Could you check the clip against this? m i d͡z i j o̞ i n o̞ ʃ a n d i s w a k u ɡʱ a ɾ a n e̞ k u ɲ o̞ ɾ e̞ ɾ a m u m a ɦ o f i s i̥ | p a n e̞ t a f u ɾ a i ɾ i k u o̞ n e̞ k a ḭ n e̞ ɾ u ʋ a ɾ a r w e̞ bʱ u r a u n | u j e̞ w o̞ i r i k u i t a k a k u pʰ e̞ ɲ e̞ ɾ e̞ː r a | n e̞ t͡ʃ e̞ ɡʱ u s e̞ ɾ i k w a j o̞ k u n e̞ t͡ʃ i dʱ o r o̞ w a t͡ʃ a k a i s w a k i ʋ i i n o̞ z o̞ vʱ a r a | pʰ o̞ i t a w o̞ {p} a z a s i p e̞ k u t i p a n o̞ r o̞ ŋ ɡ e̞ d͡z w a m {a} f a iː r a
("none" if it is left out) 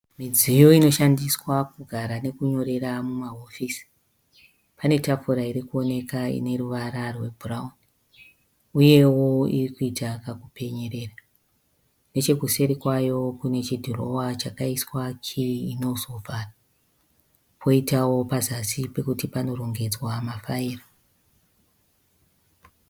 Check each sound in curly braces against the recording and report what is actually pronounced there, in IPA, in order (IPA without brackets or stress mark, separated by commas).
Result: p, a